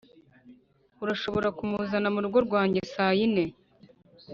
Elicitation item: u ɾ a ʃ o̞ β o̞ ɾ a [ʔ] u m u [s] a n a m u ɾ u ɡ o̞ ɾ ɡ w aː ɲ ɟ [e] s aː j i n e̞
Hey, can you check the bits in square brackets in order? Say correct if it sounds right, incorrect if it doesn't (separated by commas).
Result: incorrect, incorrect, correct